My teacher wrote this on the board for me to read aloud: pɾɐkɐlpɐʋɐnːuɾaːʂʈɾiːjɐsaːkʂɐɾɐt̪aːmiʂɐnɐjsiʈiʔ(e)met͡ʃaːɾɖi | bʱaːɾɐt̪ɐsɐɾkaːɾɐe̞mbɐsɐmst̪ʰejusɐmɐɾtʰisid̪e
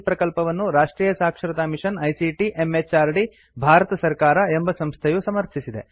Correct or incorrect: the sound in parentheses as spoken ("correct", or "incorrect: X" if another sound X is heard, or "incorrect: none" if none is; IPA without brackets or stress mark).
correct